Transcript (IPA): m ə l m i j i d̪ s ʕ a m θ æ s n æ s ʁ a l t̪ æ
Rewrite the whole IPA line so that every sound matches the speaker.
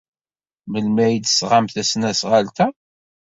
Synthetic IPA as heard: m ə l m æ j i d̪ s ʁ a m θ æ s n æ s ʁ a l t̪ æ